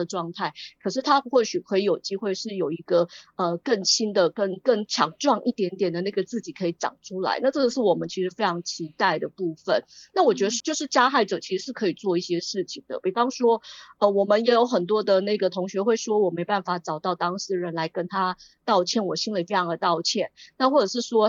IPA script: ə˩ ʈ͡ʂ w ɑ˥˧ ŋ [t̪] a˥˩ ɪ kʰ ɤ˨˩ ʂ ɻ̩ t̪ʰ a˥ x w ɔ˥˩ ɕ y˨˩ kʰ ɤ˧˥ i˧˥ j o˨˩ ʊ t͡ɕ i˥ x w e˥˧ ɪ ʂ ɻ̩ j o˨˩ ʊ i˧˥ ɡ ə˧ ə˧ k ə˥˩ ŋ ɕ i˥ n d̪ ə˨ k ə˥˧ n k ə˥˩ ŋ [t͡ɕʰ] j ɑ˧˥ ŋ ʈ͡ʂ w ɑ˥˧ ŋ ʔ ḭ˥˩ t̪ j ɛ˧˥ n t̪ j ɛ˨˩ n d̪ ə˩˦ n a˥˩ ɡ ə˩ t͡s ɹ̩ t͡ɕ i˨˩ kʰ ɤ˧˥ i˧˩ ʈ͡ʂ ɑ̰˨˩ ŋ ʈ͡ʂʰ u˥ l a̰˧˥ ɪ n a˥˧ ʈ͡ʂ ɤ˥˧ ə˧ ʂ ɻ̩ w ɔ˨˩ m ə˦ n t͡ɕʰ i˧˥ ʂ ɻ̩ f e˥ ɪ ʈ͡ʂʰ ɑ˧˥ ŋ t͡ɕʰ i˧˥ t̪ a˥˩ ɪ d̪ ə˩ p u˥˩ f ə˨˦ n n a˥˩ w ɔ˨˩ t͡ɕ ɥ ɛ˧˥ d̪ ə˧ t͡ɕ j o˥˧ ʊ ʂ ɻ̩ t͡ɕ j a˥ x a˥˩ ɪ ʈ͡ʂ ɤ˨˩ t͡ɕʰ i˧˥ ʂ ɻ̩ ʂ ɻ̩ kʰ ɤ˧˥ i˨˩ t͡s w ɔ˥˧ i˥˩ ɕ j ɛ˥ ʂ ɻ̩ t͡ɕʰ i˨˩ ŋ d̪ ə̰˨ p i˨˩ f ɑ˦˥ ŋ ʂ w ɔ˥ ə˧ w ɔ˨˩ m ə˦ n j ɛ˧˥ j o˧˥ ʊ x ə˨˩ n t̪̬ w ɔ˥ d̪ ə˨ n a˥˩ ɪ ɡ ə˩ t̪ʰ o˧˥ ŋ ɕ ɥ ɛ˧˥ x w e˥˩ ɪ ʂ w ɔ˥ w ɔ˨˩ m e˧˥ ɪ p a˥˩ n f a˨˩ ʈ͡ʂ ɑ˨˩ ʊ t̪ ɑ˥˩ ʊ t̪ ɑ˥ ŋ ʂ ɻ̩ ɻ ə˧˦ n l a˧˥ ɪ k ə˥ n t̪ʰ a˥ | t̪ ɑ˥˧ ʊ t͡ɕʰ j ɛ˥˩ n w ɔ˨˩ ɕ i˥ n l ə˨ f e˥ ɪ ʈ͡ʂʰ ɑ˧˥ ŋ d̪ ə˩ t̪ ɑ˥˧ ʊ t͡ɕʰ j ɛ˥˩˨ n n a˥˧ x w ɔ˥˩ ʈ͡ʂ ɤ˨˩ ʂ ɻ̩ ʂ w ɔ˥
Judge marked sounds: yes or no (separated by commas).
no, yes